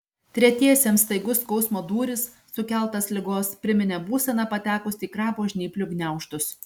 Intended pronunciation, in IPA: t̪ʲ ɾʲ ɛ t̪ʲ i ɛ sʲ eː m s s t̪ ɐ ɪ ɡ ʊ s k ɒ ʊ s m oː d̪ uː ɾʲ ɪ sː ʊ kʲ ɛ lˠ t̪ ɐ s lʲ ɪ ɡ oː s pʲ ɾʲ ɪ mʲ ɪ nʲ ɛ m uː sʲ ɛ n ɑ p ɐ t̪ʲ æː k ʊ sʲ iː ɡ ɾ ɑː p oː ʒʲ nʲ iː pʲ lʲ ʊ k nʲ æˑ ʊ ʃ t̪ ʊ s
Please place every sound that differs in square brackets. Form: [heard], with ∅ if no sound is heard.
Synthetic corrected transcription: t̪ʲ ɾʲ ɛ t̪ʲ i ɛ sʲ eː m s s t̪ ɐ ɪ ɡ ʊ s k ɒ ʊ s m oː d̪ uː ɾʲ ɪ sː ʊ kʲ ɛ lˠ t̪ ɐ s lʲ ɪ ɡ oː s pʲ ɾʲ ɪ mʲ ɪ nʲ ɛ [b] uː sʲ ɛ n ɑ p ɐ t̪ʲ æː k ʊ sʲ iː [k] ɾ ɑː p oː ʒʲ nʲ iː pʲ lʲ ʊ [ɡ] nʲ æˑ ʊ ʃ t̪ ʊ s